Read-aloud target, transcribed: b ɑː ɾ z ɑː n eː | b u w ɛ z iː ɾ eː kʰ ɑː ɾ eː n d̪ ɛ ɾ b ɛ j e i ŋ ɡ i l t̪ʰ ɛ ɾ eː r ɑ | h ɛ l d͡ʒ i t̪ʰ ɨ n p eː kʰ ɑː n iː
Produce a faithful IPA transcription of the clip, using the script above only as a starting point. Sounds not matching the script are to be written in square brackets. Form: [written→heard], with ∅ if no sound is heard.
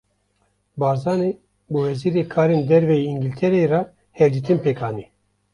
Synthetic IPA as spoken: b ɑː ɾ z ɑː n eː | b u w ɛ z iː ɾ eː kʰ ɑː ɾ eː n d̪ ɛ ɾ [b→v] ɛ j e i ŋ ɡ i l t̪ʰ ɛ ɾ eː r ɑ | h ɛ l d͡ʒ i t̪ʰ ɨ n p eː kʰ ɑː n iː